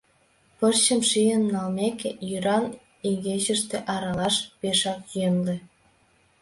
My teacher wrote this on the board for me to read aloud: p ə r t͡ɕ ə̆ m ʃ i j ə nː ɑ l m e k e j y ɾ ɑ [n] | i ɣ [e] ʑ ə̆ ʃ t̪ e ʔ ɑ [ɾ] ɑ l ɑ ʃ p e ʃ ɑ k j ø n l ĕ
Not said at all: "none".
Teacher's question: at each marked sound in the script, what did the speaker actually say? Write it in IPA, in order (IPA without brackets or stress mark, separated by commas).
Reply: n, e, ɾ